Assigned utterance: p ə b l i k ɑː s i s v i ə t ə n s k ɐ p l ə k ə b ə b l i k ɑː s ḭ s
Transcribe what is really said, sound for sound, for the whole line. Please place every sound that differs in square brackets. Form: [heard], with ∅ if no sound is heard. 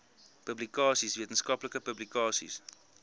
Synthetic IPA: p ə b l i k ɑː s i s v i ə t ə n s k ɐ p l ə k ə [p] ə b l i k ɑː s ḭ s